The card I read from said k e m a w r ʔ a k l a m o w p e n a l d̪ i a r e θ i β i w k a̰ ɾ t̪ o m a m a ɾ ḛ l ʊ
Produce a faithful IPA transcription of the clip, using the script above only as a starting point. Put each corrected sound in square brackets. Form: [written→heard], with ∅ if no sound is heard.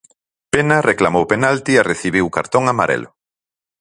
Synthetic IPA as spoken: [k→p] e [m→n] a [w→∅] r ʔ [a→e] k l a m o w p e n a l [d̪→t̪] i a r e θ i β i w k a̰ ɾ t̪ o [m→ŋ] a m a ɾ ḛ l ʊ